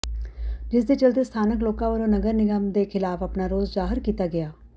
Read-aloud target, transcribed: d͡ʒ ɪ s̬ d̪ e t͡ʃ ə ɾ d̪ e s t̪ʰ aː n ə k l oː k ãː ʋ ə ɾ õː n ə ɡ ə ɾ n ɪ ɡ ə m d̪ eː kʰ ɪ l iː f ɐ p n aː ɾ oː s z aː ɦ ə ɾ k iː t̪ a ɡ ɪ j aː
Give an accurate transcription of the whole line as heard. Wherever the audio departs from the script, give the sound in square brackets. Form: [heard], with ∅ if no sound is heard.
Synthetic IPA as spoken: d͡ʒ ɪ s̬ d̪ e t͡ʃ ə [l] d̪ e s t̪ʰ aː n ə k l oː k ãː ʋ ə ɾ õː n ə ɡ ə ɾ n ɪ ɡ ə m d̪ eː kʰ ɪ l [aː] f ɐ p n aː ɾ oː [z] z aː ɦ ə ɾ k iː t̪ a ɡ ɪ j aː

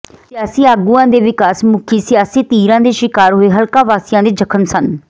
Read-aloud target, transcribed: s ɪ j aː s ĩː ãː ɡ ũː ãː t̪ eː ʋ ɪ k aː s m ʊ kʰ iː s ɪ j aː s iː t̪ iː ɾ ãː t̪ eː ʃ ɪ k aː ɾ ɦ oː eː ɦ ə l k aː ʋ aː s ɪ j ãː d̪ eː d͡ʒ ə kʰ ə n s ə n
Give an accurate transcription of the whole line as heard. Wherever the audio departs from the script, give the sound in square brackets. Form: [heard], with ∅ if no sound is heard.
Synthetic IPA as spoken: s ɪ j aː s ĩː [aː] ɡ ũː ãː [d̪] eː ʋ ɪ k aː s m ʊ kʰ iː s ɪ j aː s iː t̪ iː ɾ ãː [d̪] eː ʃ ɪ k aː ɾ ɦ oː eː ɦ ə l k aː ʋ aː s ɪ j ãː d̪ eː d͡ʒ ə kʰ ə n s ə n

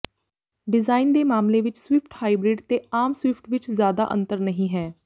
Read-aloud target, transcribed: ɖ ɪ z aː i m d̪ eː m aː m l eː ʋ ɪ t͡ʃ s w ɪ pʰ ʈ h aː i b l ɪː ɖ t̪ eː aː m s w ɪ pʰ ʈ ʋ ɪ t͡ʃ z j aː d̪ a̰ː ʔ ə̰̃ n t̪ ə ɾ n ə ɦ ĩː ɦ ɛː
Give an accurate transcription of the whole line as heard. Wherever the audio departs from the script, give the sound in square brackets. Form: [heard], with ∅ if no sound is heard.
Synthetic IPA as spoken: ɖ ɪ z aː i [n] d̪ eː m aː m l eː ʋ ɪ t͡ʃ s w ɪ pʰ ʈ h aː i b [ɾ] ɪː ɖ t̪ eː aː m s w ɪ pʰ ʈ ʋ ɪ t͡ʃ z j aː d̪ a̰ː ʔ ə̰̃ n t̪ ə ɾ n ə ɦ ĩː ɦ ɛː

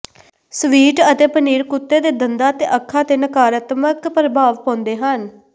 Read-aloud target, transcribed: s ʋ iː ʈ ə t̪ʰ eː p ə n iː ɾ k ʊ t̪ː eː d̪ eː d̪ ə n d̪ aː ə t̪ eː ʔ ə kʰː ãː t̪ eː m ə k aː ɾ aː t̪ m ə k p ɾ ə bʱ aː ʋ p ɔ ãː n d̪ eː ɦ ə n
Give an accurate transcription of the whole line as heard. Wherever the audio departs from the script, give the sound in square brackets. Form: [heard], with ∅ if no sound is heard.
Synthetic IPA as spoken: s ʋ iː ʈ ə [t̪] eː p ə n iː ɾ k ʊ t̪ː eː d̪ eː d̪ ə n d̪ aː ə t̪ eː ʔ ə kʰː [aː] t̪ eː [n] ə k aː ɾ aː t̪ m ə k p ɾ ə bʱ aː ʋ p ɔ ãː n d̪ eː ɦ ə n

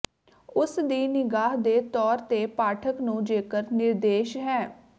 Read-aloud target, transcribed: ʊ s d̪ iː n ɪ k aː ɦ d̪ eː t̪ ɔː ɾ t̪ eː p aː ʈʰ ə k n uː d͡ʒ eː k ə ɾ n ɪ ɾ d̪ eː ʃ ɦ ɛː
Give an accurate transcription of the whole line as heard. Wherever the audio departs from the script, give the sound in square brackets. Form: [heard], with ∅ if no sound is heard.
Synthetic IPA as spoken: ʊ s d̪ iː n ɪ [ɡ] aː ɦ d̪ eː t̪ ɔː ɾ t̪ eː p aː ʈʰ ə k n [ũː] d͡ʒ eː k ə ɾ n ɪ ɾ d̪ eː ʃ ɦ ɛː

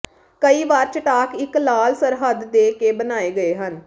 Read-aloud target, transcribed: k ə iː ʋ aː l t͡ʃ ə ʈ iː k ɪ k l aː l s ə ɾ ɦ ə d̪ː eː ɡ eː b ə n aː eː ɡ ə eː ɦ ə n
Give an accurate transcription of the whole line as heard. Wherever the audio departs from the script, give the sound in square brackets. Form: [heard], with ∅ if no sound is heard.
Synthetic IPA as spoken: k ə iː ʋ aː [ɾ] t͡ʃ ə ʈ [aː] k ɪ k l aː l s ə ɾ ɦ ə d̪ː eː [k] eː b ə n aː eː ɡ ə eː ɦ ə n

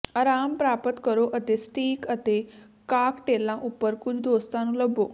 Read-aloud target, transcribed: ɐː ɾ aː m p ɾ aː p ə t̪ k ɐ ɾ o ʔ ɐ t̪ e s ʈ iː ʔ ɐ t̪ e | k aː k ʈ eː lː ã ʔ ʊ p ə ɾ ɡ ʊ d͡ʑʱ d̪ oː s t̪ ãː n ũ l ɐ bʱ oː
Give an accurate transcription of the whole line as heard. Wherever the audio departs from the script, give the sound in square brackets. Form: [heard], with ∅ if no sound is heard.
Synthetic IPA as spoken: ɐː ɾ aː m p ɾ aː p ə t̪ k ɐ ɾ o ʔ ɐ t̪ e s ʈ iː [k] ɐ t̪ e | k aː k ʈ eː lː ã ʔ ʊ p ə ɾ [k] ʊ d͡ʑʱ d̪ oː s t̪ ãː n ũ l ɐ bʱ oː

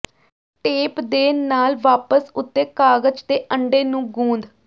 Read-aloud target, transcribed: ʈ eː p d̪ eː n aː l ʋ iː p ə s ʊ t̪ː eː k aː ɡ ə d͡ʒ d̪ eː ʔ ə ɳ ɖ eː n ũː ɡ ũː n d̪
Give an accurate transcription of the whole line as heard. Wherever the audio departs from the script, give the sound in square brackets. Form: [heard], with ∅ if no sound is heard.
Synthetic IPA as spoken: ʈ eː p d̪ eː n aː l ʋ [aː] p ə s ʊ t̪ː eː k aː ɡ ə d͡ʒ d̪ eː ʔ ə ɳ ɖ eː n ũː ɡ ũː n d̪

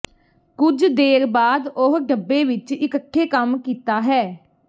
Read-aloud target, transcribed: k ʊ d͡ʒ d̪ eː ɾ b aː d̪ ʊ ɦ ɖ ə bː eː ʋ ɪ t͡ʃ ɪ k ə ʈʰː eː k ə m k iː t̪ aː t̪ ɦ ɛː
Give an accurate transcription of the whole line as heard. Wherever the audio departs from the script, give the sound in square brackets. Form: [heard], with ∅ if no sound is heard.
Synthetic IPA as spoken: k ʊ d͡ʒ d̪ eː ɾ b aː d̪ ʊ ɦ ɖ ə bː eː ʋ ɪ t͡ʃ ɪ k ə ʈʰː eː k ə m k iː t̪ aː [∅] ɦ ɛː

